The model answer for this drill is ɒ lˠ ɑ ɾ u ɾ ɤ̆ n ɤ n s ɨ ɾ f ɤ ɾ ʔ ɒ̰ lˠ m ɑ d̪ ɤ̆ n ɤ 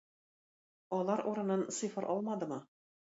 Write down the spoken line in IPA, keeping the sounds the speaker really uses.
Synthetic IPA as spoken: ɒ lˠ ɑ ɾ u ɾ ɤ̆ n ɤ n s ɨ f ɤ ɾ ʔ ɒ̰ lˠ m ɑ d̪ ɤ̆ m ɤ